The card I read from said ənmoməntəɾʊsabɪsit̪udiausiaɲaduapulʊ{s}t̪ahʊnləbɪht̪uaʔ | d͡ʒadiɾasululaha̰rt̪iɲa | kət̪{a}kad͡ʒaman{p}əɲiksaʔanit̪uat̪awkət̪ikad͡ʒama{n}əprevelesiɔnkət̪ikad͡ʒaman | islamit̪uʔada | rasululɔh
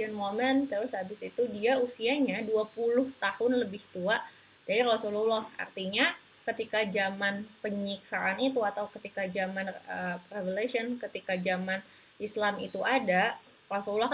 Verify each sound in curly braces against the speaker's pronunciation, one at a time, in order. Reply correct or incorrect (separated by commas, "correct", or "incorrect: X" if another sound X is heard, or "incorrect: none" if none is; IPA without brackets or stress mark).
incorrect: h, incorrect: i, correct, correct